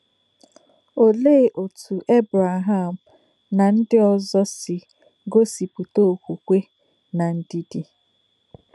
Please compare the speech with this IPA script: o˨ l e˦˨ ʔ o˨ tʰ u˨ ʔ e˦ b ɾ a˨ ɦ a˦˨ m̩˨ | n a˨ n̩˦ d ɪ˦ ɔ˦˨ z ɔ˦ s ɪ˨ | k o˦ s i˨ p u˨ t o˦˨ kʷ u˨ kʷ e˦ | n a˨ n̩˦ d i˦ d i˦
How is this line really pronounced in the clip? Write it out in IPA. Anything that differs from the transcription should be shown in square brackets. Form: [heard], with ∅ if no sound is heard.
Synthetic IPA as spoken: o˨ l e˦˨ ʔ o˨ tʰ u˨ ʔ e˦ b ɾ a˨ ɦ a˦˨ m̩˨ | n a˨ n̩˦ d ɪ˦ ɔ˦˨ z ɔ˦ s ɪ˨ | [ɡ] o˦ s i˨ p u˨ t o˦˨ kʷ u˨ kʷ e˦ | n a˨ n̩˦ d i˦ d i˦